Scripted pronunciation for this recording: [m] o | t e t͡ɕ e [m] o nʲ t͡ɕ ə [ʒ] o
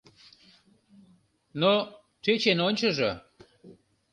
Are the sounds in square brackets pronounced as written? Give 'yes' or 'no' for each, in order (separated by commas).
no, no, yes